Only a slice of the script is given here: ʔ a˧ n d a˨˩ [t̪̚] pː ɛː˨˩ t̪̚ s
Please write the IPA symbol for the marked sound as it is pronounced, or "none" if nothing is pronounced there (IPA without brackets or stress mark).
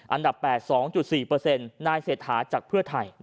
none